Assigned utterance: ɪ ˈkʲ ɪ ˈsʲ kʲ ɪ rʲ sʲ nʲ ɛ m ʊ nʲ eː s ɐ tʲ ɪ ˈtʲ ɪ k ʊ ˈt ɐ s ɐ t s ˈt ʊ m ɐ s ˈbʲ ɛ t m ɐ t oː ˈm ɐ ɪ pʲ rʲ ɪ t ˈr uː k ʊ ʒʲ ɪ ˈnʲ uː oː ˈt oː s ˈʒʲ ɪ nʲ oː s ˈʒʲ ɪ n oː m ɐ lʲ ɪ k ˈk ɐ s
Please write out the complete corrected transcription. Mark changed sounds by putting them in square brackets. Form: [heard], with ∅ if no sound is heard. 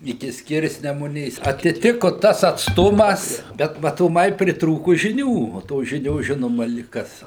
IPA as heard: ɪ ˈkʲ ɪ ˈsʲ kʲ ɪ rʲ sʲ nʲ ɛ m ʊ nʲ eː s ɐ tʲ ɪ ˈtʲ ɪ k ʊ ˈt ɐ s ɐ t s ˈt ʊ m ɐ s ˈbʲ ɛ t m ɐ t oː ˈm ɐ ɪ pʲ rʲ ɪ t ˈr uː k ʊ ʒʲ ɪ ˈnʲ uː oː ˈt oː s ˈʒʲ ɪ nʲ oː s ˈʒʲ ɪ n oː m ɐ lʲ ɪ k ˈk ɐ s